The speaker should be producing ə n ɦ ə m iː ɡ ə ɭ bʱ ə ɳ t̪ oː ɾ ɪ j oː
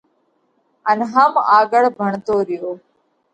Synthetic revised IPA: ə n ɦ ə m aː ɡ ə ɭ bʱ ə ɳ t̪ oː ɾ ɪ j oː